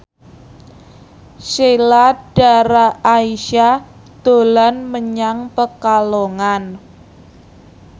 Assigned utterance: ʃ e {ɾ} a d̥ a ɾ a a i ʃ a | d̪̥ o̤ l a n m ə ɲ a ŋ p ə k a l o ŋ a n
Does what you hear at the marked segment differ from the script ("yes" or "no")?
yes